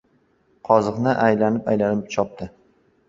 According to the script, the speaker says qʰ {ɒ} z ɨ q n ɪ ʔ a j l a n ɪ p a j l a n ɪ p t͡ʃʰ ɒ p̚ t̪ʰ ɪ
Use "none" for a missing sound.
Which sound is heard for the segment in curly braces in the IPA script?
ɒ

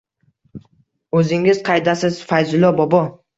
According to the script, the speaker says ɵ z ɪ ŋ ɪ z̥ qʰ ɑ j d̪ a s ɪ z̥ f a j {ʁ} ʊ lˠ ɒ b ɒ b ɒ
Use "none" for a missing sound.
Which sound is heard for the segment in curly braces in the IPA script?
z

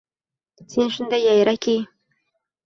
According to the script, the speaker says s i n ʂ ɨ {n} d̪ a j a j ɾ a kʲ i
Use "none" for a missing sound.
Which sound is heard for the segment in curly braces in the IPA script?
n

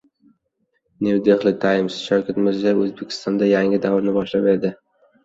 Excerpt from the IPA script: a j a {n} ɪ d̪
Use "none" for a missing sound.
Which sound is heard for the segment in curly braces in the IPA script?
ŋ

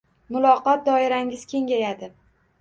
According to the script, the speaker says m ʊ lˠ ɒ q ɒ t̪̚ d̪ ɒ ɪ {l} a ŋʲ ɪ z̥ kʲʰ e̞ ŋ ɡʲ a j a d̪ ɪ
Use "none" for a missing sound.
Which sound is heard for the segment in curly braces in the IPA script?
ɾ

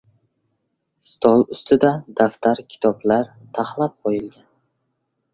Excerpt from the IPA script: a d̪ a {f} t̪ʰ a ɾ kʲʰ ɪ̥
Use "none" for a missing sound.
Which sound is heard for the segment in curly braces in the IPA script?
f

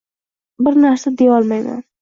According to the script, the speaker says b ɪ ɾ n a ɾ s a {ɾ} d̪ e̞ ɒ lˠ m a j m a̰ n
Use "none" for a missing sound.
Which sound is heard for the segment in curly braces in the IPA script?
none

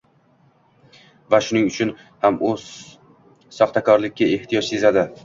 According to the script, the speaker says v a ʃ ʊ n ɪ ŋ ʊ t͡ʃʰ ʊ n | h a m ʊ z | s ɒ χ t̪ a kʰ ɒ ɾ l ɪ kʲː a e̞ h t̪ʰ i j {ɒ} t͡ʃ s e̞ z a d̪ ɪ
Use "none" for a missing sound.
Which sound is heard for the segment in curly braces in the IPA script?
ɒ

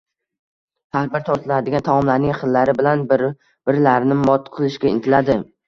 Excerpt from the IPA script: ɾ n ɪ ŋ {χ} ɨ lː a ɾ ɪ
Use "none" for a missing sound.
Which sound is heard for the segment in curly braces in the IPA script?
χ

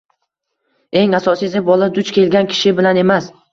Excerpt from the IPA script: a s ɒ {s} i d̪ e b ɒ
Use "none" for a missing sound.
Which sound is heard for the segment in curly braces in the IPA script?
s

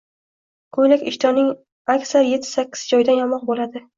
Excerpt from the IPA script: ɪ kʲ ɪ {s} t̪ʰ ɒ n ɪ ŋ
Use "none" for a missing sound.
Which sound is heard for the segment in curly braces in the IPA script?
ʃ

